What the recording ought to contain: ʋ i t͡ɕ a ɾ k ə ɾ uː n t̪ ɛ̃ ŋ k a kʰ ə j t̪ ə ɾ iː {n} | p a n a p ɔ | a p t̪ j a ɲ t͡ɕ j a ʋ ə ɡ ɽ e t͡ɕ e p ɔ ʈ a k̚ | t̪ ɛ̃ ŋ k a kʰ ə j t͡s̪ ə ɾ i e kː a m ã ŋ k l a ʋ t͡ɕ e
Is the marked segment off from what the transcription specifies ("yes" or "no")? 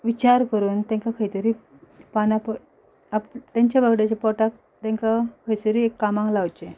yes